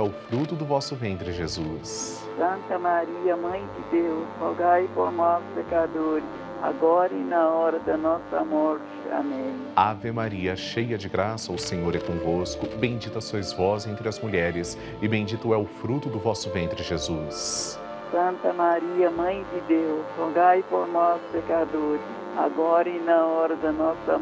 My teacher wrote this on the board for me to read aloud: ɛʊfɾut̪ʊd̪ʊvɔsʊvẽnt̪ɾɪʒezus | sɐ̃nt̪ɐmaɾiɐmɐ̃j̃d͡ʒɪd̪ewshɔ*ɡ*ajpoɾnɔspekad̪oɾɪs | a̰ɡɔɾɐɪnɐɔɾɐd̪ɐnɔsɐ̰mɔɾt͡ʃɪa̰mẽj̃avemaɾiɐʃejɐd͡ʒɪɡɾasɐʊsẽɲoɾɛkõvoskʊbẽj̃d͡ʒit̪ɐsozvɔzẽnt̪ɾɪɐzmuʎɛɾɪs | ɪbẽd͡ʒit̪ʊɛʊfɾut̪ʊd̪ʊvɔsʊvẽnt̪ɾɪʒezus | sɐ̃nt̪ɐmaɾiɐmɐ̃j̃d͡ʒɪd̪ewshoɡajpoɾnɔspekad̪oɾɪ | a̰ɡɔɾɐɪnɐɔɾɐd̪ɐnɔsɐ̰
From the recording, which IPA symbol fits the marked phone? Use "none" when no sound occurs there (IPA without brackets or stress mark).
ɡ